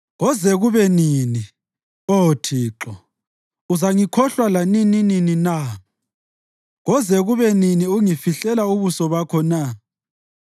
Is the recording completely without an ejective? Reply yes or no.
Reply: yes